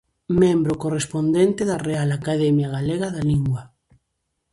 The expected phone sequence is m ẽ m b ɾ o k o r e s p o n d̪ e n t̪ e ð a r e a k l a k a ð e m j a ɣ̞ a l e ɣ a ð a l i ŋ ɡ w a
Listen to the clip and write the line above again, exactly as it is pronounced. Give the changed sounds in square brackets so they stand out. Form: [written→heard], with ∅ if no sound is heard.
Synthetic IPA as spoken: m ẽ m b ɾ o k o r e s p o n d̪ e n t̪ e ð a r e a [k→∅] l a k a ð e m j a ɣ̞ a l e ɣ a ð a l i ŋ ɡ w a